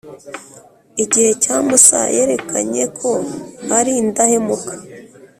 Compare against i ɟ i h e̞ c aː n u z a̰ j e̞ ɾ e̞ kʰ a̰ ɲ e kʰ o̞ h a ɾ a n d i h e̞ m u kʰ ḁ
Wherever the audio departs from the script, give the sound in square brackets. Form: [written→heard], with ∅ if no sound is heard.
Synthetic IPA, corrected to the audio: i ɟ i h e̞ c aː [n→m] u [z→s] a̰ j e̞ ɾ e̞ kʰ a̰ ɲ e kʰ o̞ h a ɾ [a→i] n d [i→a] h e̞ m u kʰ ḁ